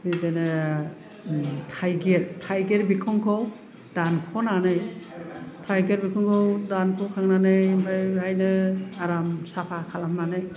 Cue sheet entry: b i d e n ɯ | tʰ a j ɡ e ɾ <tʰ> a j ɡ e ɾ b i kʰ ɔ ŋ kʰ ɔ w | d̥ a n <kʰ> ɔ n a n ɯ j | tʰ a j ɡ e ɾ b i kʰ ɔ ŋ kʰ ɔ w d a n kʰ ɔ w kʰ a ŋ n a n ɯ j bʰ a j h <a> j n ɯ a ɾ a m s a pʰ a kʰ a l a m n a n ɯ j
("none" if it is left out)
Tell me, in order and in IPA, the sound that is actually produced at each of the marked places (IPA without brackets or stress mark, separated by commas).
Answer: tʰ, kʰ, a